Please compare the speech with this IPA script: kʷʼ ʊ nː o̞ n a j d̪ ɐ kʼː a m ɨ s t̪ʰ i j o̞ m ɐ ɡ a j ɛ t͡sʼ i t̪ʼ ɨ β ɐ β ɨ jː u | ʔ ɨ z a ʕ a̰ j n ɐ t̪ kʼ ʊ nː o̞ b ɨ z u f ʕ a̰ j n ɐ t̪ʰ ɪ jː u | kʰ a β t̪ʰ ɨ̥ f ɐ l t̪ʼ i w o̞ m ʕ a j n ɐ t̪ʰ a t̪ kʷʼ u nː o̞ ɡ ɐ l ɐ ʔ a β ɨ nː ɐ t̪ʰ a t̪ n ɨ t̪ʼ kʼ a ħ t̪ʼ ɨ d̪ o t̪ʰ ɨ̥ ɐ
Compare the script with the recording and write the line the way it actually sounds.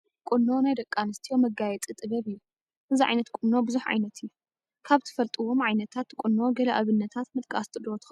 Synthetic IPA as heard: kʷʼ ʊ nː o̞ n a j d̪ ɐ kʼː a n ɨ s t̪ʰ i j o̞ m ɐ ɡ a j ɛ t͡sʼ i t̪ʼ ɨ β ɐ β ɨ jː u | ʔ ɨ z i ʕ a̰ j n ɐ t̪ kʼ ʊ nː o̞ b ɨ z u ħ ʕ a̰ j n ɐ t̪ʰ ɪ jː u | kʰ a β t̪ʰ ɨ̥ f ɐ l t̪ʼ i w o̞ m ʕ a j n ɐ t̪ʰ a t̪ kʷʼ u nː o̞ ɡ ɐ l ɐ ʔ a β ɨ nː ɐ t̪ʰ a t̪ m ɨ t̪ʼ kʼ a s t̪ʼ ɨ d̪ o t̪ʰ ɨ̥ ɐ